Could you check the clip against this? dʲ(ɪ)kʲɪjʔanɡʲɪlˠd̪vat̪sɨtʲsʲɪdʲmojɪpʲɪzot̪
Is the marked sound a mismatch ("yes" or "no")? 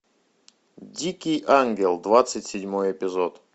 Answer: yes